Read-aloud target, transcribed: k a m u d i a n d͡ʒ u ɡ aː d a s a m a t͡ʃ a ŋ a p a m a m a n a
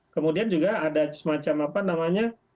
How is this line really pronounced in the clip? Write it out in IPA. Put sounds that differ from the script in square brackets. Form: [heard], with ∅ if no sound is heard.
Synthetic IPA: k [ə] m u d i a n d͡ʒ u ɡ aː d a s [ə] m a t͡ʃ a [m] a p a [n] a m a [ɲ] a